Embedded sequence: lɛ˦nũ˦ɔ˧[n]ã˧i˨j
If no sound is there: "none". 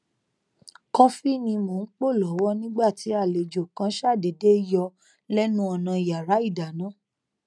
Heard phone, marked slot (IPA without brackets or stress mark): n